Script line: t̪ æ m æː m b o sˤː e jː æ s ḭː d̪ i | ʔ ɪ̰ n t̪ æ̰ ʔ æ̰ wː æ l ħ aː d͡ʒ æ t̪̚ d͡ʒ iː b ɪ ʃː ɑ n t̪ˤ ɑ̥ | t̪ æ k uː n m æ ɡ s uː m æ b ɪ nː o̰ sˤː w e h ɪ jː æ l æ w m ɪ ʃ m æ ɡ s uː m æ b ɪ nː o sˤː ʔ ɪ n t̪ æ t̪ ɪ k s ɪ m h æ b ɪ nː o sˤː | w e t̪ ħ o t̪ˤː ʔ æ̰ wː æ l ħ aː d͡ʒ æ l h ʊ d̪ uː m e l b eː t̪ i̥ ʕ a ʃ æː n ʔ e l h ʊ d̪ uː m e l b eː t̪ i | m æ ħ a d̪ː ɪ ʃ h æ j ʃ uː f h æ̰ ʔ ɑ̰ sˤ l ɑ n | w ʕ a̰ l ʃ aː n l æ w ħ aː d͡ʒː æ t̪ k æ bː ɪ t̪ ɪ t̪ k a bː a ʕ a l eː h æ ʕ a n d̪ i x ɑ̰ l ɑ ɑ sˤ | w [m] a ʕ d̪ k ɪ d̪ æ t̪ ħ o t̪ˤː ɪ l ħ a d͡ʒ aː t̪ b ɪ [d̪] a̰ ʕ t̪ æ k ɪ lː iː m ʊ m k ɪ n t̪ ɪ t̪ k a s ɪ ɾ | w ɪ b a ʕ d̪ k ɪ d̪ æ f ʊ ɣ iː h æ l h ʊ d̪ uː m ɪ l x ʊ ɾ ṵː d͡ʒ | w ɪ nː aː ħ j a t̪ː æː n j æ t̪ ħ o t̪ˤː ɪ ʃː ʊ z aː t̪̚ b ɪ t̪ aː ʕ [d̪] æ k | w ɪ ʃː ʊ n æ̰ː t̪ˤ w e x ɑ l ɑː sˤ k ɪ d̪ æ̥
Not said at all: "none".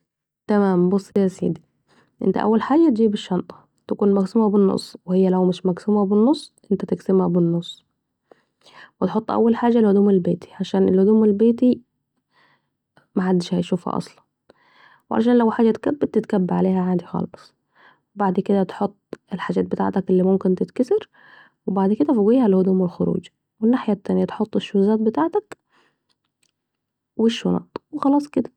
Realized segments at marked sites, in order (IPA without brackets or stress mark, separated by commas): b, t̪, t̪